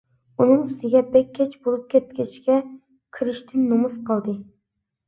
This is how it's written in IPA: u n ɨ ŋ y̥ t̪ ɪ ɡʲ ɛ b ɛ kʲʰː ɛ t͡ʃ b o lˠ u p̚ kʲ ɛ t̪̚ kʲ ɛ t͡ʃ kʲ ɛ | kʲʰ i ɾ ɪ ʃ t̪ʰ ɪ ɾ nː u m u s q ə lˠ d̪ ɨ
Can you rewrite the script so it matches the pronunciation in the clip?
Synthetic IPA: u n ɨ ŋ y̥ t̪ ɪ ɡʲ ɛ b ɛ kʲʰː ɛ t͡ʃ b o lˠ u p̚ kʲ ɛ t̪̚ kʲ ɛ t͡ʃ kʲ ɛ | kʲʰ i ɾ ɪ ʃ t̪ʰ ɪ nː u m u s q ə lˠ d̪ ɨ